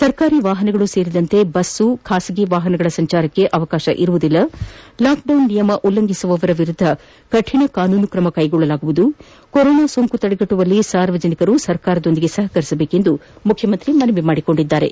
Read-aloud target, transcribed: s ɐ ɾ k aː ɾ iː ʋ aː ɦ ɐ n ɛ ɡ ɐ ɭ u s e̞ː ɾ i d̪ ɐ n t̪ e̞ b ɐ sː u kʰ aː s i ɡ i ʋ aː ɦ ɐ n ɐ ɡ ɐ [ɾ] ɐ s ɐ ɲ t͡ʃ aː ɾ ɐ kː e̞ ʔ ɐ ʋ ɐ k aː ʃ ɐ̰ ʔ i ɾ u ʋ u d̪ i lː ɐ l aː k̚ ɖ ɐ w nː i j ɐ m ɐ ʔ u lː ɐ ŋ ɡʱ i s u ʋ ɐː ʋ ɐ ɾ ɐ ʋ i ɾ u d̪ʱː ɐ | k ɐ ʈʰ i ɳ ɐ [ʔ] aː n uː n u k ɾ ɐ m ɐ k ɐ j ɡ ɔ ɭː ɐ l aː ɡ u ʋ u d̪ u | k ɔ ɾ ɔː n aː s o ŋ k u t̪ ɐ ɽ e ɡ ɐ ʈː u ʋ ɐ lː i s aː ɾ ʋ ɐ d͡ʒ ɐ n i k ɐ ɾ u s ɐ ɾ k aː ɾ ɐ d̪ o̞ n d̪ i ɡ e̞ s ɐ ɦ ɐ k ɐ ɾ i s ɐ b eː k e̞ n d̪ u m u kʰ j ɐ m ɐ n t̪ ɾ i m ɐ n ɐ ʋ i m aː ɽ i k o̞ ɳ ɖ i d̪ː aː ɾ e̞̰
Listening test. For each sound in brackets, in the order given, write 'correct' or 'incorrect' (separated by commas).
incorrect, incorrect